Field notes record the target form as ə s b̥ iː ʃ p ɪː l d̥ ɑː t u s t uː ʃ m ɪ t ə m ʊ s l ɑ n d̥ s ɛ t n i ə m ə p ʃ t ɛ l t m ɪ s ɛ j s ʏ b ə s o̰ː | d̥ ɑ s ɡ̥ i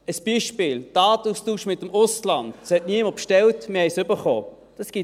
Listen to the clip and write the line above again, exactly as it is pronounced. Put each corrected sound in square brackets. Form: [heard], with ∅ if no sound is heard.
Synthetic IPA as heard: ə s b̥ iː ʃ p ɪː l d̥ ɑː t u s t uː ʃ m ɪ t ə m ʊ s l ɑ n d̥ s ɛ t n i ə m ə p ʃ t ɛ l t m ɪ [h] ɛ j s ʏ b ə [χ] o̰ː | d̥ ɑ s ɡ̥ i